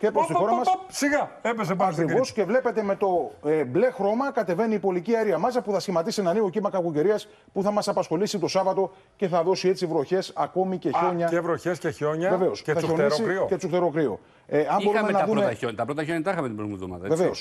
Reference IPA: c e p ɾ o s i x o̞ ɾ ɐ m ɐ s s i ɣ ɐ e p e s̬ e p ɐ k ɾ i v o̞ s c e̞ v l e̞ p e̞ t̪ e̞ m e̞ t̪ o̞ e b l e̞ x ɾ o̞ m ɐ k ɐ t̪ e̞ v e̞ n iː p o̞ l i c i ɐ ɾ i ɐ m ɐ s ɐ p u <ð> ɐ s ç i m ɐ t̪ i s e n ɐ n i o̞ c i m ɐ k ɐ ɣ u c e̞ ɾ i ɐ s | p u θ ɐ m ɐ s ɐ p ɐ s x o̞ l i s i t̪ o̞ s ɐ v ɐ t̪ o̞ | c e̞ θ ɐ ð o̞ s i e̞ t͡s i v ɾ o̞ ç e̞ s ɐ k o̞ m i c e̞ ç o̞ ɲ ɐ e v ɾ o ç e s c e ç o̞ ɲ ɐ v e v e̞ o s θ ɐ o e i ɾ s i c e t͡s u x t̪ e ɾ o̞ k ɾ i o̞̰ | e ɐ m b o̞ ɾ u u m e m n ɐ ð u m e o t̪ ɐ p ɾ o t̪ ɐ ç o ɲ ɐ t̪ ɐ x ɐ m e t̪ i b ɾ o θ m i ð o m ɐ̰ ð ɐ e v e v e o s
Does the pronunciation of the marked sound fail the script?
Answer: yes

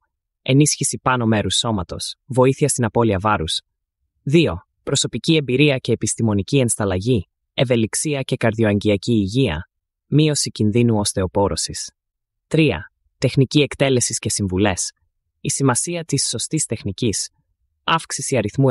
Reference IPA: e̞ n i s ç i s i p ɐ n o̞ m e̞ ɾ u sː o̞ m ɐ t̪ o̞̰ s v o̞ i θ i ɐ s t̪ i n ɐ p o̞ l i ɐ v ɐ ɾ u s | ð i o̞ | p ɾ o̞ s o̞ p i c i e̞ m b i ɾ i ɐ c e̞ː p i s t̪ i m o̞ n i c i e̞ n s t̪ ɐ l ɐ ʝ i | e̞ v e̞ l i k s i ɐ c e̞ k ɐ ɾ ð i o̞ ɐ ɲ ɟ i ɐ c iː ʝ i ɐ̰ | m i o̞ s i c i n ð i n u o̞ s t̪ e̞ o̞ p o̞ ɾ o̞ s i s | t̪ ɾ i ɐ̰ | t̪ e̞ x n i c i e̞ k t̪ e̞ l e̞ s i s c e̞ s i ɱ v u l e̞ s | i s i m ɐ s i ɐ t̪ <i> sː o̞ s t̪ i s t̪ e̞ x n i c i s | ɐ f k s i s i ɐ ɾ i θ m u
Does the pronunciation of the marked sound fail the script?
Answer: no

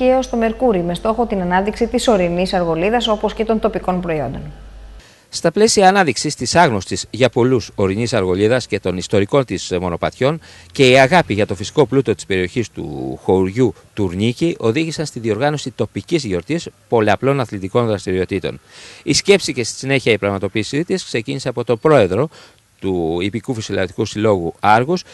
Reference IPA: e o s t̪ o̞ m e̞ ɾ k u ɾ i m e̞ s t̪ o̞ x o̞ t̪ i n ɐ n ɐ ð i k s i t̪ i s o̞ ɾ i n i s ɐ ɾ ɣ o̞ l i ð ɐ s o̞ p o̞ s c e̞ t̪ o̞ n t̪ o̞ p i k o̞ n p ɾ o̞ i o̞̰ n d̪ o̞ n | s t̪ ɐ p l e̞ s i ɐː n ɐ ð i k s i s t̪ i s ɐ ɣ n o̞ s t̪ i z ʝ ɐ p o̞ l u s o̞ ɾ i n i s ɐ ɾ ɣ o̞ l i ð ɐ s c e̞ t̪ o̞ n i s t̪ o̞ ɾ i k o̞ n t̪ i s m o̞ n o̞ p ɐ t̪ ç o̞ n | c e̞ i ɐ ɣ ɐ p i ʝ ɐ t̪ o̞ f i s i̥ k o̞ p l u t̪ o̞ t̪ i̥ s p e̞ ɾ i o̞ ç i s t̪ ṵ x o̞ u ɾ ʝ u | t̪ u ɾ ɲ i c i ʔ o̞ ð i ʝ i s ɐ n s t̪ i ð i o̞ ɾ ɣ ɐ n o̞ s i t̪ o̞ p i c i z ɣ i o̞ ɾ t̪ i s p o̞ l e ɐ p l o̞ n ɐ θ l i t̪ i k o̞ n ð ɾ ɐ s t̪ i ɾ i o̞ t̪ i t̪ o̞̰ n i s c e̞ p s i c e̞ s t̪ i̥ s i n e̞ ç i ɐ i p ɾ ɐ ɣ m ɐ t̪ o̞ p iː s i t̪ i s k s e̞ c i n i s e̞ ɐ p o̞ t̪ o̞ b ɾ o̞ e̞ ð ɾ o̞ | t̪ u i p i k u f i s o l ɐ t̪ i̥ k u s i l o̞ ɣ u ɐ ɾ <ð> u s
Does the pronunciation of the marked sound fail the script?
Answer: yes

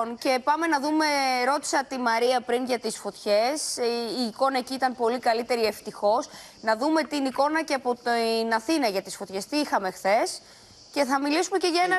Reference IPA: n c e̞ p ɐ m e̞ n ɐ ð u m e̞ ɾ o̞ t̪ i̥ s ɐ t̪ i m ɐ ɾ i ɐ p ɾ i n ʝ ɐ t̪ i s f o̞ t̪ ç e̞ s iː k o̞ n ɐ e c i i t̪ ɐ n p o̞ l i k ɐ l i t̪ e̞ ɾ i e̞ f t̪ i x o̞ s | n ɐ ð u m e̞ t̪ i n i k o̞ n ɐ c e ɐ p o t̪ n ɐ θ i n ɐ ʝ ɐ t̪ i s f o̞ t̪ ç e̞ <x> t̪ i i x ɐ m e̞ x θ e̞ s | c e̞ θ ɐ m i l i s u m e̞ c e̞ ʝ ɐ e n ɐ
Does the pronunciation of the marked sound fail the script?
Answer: yes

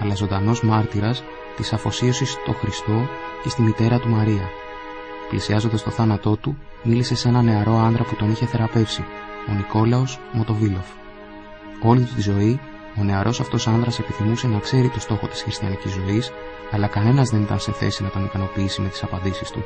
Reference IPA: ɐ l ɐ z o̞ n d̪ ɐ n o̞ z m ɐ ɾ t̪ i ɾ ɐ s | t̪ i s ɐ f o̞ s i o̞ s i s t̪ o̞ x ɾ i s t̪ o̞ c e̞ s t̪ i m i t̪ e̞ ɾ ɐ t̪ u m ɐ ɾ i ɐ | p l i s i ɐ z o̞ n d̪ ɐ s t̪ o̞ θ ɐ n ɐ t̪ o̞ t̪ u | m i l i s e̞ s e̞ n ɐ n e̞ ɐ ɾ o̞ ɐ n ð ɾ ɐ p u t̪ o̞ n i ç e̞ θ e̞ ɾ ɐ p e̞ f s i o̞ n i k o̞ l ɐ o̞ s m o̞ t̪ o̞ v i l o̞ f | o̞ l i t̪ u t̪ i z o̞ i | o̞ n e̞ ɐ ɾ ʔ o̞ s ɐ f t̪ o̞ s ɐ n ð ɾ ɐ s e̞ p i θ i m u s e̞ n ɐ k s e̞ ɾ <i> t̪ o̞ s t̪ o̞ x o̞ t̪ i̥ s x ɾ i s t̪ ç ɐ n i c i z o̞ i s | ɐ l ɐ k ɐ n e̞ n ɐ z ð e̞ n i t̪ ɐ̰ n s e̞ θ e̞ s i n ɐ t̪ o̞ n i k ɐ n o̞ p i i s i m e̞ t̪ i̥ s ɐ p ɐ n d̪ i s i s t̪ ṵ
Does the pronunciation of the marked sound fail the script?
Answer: no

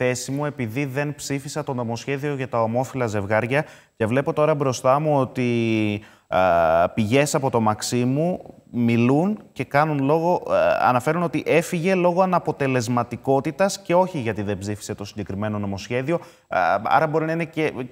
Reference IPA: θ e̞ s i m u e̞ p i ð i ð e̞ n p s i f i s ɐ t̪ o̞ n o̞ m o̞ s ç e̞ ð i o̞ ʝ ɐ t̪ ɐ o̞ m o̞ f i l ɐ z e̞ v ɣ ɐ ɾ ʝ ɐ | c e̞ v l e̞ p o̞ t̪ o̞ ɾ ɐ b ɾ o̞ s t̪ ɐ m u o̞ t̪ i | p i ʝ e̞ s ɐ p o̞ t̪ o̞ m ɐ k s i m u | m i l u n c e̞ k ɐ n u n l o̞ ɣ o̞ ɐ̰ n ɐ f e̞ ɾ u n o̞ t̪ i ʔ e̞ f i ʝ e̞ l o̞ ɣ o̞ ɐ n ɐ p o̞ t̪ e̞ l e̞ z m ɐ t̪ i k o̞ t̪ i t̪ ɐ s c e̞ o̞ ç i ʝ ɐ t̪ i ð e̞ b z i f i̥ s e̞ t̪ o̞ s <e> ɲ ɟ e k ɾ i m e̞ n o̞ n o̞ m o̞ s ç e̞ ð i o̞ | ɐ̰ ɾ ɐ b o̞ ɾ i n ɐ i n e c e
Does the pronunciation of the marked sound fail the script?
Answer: yes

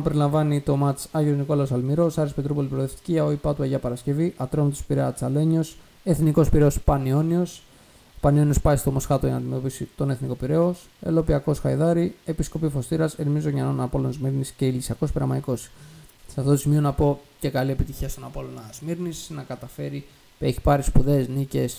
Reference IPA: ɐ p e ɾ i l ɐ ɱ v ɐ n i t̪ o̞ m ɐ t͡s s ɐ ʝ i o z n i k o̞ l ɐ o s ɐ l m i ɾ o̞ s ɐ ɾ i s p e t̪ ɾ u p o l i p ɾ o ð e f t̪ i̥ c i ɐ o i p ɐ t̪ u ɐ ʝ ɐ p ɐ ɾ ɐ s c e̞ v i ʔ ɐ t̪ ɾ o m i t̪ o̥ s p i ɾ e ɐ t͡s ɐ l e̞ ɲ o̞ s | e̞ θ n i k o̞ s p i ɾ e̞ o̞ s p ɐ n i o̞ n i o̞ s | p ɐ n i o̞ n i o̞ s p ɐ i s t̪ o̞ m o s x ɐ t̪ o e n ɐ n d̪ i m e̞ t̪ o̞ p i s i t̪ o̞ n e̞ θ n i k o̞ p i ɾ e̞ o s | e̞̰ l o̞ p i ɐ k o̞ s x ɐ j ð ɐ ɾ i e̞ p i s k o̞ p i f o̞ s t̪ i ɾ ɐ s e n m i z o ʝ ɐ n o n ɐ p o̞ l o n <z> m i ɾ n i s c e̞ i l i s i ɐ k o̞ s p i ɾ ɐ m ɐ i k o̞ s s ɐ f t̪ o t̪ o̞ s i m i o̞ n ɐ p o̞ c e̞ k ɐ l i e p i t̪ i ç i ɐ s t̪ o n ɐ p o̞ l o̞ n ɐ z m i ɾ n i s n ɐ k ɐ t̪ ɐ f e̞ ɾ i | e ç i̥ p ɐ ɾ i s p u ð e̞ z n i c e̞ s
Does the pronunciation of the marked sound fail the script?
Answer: no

